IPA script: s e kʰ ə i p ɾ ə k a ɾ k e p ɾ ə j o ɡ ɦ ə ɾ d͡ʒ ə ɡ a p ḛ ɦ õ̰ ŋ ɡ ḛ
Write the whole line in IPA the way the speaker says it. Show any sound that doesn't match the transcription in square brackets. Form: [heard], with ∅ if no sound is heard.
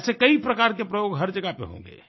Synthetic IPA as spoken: s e [k] ə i p ɾ ə k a ɾ k e p ɾ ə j o ɡ ɦ ə ɾ d͡ʒ ə ɡ a p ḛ ɦ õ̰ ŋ ɡ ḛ